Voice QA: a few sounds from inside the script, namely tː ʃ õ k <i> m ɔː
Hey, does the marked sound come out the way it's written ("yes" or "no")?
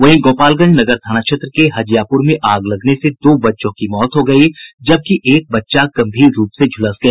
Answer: yes